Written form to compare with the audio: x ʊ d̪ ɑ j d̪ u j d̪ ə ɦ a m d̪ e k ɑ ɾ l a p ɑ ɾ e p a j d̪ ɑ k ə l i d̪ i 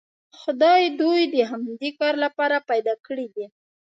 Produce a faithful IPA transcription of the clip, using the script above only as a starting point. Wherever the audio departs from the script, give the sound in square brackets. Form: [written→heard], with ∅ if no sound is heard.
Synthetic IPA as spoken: x ʊ d̪ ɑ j d̪ u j d̪ ə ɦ a m d̪ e k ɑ ɾ l a p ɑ ɾ [e→a] p a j d̪ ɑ k ə [l→ɽ] i d̪ i